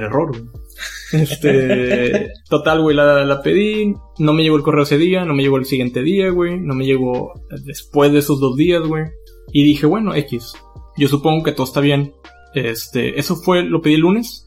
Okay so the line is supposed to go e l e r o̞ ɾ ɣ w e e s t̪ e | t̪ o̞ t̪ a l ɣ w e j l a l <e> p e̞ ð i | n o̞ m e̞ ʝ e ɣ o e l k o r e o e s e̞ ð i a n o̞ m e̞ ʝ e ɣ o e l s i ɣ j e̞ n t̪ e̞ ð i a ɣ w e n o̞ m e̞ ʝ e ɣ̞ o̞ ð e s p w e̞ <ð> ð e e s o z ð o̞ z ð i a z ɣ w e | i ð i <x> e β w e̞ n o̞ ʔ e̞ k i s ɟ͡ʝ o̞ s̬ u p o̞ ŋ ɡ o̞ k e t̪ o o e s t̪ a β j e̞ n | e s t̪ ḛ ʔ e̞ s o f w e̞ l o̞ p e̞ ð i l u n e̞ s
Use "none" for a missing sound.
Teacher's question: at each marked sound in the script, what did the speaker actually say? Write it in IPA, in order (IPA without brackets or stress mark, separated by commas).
a, z, x